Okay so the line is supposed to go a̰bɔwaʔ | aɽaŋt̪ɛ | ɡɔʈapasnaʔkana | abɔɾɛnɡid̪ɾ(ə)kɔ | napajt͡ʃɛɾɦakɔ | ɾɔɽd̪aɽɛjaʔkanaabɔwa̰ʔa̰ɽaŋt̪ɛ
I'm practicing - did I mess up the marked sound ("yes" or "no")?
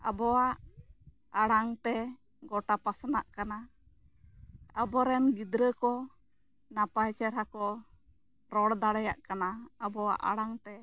no